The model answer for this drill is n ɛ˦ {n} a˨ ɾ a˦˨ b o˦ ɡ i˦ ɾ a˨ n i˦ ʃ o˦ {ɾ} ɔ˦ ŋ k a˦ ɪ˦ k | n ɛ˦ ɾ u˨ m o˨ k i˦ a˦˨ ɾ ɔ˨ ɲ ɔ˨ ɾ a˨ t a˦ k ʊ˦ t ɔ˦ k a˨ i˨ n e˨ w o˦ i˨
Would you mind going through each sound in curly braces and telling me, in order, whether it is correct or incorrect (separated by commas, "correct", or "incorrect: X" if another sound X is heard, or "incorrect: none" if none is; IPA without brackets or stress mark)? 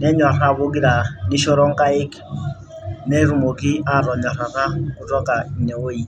incorrect: ɲ, correct